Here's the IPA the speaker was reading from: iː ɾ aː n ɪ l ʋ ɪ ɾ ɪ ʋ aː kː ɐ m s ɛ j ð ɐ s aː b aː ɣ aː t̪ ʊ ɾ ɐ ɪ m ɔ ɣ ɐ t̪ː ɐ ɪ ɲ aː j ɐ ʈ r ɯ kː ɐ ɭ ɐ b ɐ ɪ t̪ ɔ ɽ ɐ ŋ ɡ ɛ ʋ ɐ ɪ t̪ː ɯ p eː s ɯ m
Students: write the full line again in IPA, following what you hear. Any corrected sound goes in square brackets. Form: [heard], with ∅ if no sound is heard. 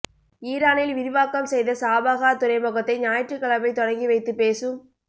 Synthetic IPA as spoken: iː ɾ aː n ɪ l ʋ ɪ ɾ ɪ ʋ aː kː ɐ m s ɛ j ð ɐ s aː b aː ɣ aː t̪ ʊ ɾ ɐ ɪ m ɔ ɣ ɐ t̪ː ɐ ɪ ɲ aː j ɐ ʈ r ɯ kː ɐ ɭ ɐ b ɐ ɪ t̪ ɔ ɽ ɐ ŋ ɡ [i] ʋ ɐ ɪ t̪ː ɯ p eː s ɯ m

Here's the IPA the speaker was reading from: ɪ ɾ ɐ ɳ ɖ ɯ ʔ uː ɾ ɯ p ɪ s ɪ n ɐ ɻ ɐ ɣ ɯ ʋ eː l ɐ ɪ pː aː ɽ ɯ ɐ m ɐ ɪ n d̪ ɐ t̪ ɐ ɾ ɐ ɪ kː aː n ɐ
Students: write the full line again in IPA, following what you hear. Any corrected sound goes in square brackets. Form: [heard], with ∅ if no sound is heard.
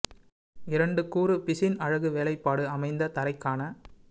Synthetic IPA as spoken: ɪ ɾ ɐ ɳ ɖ ɯ [k] uː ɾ ɯ p ɪ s ɪ n ɐ ɻ ɐ ɣ ɯ ʋ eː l ɐ ɪ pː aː ɽ ɯ ɐ m ɐ ɪ n d̪ ɐ t̪ ɐ ɾ ɐ ɪ kː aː n ɐ

